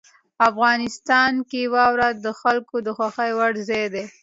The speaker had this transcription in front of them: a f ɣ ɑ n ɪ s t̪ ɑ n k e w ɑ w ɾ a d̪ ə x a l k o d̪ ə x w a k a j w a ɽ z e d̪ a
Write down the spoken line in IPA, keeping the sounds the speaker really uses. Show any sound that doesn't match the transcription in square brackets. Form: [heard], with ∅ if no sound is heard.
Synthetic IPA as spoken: a f ɣ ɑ n ɪ s t̪ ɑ n k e w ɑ w ɾ a d̪ ə x a l k o d̪ ə x w a [x] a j w a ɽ z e d̪ [e]